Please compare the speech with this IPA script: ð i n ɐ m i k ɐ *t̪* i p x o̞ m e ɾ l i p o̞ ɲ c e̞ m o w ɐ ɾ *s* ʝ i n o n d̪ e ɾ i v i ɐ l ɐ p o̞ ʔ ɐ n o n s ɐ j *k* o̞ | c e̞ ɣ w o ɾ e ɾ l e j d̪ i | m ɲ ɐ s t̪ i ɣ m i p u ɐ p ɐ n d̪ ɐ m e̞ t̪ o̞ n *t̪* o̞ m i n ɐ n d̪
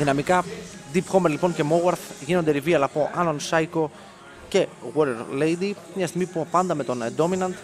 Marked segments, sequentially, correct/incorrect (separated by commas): incorrect, incorrect, correct, incorrect